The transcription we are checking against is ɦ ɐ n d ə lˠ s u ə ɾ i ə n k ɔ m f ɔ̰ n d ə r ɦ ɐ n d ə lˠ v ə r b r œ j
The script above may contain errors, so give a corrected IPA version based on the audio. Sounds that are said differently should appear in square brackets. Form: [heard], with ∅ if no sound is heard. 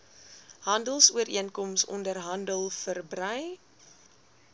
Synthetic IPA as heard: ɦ ɐ n d ə lˠ s u ə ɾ i ə n k ɔ m [s] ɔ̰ n d ə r ɦ ɐ n d ə lˠ [f] ə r b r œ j